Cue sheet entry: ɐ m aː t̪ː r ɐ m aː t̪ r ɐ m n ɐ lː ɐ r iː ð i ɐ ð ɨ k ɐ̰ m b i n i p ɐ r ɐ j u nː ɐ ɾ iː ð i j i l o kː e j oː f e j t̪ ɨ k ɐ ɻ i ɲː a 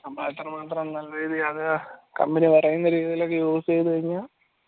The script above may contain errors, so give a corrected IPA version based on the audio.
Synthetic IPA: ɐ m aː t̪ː r ɐ m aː t̪ r ɐ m n ɐ lː ɐ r iː ð i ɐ ð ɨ k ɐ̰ m b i n i p ɐ r ɐ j u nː ɐ ɾ iː ð i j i l o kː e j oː s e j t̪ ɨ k ɐ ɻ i ɲː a